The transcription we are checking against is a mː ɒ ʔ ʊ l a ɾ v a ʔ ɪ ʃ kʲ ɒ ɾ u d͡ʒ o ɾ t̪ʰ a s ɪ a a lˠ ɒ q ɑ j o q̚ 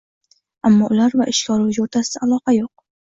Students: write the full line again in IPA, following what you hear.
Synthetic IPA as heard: a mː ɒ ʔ ʊ l a ɾ v a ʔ ɪ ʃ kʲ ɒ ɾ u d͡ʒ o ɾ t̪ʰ a s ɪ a a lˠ ɒ q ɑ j o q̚